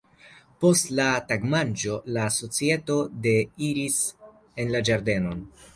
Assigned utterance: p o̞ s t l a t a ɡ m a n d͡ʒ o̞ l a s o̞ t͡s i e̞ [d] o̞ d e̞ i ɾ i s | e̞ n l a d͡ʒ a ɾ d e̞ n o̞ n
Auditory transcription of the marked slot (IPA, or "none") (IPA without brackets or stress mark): t